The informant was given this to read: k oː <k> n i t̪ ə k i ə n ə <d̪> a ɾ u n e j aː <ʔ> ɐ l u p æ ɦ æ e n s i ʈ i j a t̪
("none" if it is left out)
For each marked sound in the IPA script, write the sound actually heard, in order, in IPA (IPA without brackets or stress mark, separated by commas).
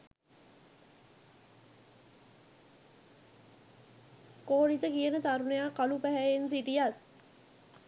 none, t̪, k